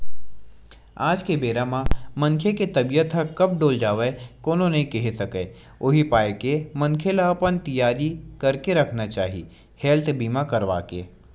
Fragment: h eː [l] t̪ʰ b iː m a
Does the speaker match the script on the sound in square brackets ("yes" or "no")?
yes